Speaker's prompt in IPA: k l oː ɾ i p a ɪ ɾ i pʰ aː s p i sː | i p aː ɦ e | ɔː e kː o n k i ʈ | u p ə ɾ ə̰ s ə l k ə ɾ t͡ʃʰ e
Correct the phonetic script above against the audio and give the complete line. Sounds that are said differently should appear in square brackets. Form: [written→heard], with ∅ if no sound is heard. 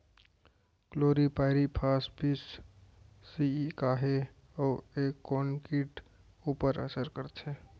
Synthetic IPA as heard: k l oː ɾ i p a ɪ ɾ i pʰ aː s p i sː | i [p→k] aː ɦ e | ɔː e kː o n k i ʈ | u p ə ɾ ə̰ s ə [l→ɾ] k ə ɾ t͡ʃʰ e